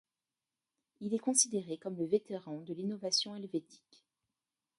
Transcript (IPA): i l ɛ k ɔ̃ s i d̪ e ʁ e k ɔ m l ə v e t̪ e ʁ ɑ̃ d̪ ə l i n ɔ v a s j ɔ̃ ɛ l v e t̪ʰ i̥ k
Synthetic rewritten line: i l ɛ k ɔ̃ s i d̪ e ʁ e k ɔ m l ə v e t̪ e ʁ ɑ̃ d̪ ə l i n ɔ v a s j ɔ̃ ɛ l v e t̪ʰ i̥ k